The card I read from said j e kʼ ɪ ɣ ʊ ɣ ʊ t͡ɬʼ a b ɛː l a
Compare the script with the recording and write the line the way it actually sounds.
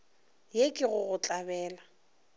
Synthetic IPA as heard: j e kʼ ɪ ɣ ʊ ɣ ʊ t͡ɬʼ a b ɛː l a